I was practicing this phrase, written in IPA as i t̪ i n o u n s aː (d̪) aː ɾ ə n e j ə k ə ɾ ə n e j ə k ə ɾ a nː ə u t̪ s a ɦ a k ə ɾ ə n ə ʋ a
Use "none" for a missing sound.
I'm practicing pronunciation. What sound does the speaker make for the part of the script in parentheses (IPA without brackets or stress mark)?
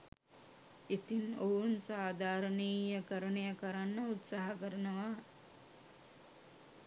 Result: d̪